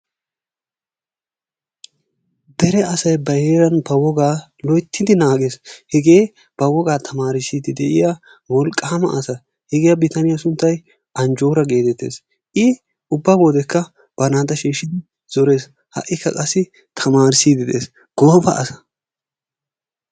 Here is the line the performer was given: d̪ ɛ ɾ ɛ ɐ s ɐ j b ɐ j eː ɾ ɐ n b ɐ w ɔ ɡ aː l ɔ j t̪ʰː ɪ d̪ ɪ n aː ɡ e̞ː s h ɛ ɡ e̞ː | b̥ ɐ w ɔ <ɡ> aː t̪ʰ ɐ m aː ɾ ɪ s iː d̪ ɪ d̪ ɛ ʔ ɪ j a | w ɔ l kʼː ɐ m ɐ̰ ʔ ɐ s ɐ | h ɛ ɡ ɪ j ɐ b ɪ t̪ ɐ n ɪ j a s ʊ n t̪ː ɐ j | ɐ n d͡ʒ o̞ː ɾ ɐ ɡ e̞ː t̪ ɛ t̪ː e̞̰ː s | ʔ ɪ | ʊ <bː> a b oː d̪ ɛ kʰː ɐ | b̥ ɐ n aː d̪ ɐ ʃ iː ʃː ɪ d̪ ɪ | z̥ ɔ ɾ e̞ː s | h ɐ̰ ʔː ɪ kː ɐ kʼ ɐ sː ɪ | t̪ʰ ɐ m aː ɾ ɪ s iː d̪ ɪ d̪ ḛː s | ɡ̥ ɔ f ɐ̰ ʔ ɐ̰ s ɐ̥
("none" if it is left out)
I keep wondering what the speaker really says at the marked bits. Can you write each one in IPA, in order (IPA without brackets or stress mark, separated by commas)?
ɡ, bː